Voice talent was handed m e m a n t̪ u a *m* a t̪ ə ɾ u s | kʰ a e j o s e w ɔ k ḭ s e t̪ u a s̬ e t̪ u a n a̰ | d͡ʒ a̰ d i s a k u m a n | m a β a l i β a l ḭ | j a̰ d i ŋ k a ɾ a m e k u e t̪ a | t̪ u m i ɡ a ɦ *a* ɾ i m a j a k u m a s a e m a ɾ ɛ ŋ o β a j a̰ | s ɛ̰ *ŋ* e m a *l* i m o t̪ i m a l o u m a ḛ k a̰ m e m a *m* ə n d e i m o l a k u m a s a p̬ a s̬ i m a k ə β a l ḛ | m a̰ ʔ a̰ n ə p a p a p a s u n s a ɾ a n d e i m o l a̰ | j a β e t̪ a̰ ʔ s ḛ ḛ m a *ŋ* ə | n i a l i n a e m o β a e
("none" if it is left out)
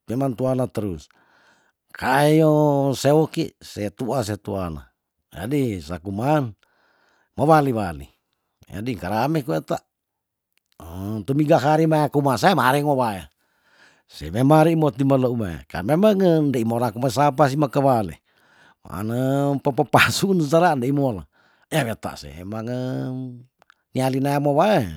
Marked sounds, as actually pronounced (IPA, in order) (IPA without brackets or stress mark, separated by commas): n, a, m, ɾ, ŋ, ŋ